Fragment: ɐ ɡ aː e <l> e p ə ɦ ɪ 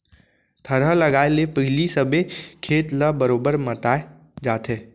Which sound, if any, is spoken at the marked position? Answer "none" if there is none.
l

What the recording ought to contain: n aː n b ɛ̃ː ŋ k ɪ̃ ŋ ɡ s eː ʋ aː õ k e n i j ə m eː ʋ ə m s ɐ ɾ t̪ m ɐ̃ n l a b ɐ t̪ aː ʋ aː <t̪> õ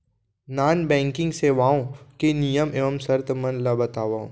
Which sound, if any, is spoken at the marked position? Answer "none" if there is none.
none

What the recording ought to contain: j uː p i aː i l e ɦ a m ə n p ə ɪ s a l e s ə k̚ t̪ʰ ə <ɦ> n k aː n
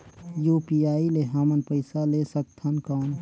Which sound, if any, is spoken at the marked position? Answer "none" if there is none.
none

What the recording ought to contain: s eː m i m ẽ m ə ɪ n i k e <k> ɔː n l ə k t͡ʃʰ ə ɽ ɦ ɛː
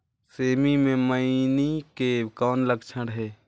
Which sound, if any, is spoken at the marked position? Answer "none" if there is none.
k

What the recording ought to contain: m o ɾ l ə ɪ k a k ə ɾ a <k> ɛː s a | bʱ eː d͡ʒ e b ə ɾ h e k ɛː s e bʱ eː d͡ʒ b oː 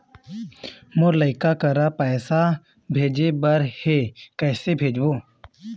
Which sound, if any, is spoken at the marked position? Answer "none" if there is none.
p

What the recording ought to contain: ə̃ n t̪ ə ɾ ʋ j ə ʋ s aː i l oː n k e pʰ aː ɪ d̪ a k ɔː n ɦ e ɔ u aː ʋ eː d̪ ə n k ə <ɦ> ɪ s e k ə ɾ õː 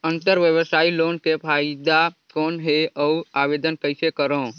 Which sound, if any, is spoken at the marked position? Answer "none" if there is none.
none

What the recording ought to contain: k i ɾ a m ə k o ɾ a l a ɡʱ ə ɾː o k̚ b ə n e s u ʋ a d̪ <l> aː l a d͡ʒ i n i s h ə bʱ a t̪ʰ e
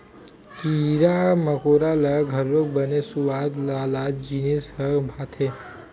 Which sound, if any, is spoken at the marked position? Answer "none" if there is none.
l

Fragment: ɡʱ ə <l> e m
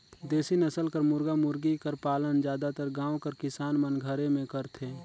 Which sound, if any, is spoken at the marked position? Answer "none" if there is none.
ɾ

